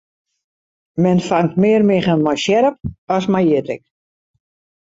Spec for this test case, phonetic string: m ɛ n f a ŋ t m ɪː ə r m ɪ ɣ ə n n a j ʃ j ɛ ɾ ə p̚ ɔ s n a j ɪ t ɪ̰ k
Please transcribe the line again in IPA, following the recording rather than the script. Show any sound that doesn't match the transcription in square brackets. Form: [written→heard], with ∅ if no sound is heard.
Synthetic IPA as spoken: m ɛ n f a ŋ t m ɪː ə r m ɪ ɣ ə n [n→m] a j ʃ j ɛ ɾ ə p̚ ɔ s [n→m] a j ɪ t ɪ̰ k